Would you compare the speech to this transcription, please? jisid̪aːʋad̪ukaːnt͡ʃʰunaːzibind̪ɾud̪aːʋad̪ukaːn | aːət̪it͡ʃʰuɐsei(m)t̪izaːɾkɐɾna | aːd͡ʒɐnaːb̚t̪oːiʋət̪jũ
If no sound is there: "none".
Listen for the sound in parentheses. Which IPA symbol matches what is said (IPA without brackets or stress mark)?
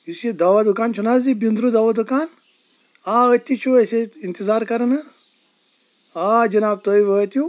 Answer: n